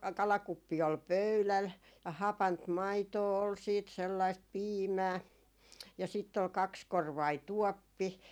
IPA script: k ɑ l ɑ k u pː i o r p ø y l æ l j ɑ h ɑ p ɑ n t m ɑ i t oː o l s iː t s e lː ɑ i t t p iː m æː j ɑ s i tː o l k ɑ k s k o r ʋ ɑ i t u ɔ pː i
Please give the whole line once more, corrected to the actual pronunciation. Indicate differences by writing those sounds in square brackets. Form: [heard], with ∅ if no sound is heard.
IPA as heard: k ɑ l ɑ k u pː i o [l] p ø y l æ l j ɑ h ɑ p ɑ n t m ɑ i t oː o l s iː t s e lː ɑ i [s] t p iː m æː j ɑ s i tː o l k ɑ k s k o r ʋ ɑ i t u ɔ pː i